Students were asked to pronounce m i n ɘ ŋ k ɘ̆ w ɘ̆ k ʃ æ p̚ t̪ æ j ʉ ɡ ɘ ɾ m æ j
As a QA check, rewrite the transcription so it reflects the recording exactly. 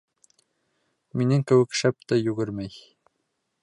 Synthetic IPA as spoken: m i n ɘ ŋ k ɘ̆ w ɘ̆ k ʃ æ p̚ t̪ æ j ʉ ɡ ɘ ɾ m æ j